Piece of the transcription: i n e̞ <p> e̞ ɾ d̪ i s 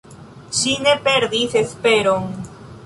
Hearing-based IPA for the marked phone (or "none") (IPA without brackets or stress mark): p